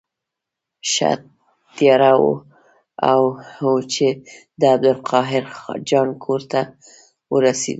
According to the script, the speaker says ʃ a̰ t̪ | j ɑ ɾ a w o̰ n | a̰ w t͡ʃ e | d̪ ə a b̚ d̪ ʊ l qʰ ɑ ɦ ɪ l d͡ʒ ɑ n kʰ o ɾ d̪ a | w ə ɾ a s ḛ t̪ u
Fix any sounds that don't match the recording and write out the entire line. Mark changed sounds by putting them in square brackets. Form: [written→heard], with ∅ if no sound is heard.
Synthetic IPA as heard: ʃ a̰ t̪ | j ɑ ɾ a w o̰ [n→∅] | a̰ w t͡ʃ e | d̪ ə a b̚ d̪ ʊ l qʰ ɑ ɦ ɪ [l→ɾ] d͡ʒ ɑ n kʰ o ɾ [d̪→t̪] a | w ə ɾ a s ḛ [t̪→d̪] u